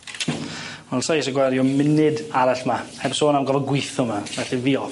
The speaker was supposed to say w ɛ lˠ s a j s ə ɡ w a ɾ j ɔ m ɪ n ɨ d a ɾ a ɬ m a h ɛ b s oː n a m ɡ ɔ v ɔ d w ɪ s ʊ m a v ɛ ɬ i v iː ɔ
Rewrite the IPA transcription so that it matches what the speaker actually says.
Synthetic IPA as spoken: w ɛ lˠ s a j s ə ɡ w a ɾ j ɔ m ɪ n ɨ d a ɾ a ɬ m a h ɛ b s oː n a m ɡ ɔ v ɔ ɡ w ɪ θ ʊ m a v ɛ ɬ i v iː ɔ